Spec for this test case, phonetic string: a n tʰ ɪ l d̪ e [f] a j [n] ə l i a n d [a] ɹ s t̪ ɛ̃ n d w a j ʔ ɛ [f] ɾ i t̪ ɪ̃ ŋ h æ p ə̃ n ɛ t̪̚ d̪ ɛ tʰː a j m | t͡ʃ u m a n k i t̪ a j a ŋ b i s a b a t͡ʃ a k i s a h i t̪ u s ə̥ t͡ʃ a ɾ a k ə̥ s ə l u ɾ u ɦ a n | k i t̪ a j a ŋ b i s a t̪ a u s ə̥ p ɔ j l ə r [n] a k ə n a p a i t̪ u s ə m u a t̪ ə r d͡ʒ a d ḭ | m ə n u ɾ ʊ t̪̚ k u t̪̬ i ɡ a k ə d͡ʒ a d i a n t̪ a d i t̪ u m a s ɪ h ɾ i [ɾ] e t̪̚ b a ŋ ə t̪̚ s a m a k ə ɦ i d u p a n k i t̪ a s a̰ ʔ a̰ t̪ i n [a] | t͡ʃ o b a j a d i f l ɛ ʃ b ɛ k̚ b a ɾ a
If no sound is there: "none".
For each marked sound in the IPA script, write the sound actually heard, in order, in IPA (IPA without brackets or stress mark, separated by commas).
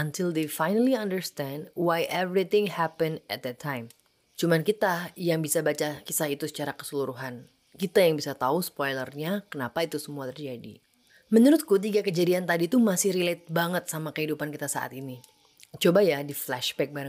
f, n, ə, v, ɲ, l, i